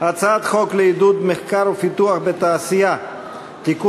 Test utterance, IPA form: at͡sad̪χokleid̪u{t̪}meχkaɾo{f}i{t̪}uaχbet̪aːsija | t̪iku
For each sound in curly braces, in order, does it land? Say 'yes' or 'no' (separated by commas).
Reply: no, yes, yes